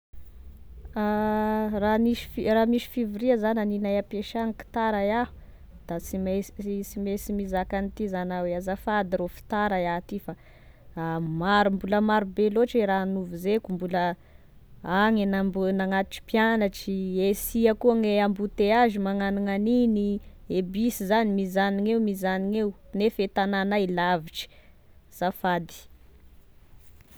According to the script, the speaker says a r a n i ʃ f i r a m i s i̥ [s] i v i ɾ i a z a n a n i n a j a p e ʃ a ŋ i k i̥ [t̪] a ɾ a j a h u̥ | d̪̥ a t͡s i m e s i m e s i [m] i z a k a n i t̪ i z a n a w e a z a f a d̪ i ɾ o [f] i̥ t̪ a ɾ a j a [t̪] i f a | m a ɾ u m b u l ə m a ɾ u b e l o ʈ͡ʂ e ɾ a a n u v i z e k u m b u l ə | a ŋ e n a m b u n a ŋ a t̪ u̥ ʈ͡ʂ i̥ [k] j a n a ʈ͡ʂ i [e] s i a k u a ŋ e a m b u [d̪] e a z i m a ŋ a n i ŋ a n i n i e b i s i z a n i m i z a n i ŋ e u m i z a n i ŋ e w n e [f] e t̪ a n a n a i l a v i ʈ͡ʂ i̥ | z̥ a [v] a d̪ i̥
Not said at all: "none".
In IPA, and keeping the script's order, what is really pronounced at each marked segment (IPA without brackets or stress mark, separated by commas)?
f, t̪, m, f, t̪, p, e, t̪, f, f